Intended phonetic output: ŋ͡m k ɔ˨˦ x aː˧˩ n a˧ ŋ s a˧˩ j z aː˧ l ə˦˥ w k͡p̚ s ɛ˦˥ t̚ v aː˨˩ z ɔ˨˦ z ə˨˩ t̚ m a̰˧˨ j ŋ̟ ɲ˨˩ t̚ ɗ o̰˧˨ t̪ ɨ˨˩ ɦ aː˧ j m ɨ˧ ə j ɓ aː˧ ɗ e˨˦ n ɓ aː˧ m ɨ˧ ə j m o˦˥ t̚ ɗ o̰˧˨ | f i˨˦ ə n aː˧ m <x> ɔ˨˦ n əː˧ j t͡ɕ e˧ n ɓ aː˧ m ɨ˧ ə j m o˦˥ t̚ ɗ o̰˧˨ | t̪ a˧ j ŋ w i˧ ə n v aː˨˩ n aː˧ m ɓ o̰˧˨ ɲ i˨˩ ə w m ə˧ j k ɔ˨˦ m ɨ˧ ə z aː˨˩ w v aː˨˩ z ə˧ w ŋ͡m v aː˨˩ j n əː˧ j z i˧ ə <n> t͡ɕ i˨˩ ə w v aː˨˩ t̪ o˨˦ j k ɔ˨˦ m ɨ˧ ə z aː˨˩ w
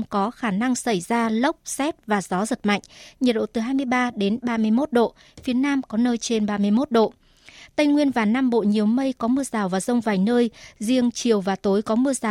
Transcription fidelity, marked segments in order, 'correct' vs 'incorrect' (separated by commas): incorrect, incorrect